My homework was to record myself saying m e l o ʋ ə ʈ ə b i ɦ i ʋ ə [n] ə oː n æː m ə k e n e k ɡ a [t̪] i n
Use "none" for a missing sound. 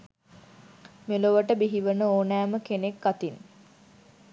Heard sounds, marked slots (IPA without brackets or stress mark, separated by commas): n, t̪